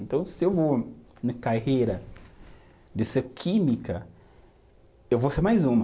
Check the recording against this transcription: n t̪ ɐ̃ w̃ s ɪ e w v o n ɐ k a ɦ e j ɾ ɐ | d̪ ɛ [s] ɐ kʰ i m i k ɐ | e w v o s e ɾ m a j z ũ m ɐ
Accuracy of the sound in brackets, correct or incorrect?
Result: correct